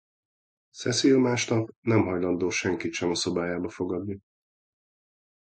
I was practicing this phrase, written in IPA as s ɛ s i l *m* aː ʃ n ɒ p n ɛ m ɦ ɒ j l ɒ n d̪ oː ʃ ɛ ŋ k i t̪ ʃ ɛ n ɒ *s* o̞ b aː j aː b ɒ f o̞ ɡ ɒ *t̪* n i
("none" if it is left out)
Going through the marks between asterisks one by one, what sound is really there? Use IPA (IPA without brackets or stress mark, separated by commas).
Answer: m, s, d̪